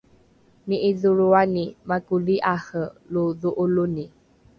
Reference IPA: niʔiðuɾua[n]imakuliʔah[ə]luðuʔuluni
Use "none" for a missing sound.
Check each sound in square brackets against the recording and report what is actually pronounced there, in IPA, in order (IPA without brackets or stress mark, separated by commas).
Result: n, ə